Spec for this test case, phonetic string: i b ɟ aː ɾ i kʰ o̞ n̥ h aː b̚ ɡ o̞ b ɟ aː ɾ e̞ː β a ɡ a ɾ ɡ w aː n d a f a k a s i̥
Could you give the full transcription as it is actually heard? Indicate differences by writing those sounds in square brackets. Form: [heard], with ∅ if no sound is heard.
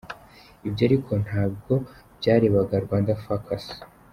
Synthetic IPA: i b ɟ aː ɾ i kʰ o̞ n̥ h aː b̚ ɡ o̞ b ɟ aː ɾ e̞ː β a ɡ a ɾ ɡ w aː n d a f a k a s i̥